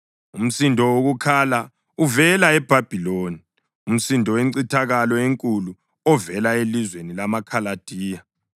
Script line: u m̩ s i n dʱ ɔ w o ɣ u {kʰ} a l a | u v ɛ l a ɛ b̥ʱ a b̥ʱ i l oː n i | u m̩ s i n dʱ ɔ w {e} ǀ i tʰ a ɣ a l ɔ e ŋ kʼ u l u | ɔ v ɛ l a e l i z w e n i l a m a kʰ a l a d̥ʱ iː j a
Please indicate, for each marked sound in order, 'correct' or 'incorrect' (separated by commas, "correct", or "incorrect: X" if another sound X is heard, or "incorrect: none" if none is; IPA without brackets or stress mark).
correct, correct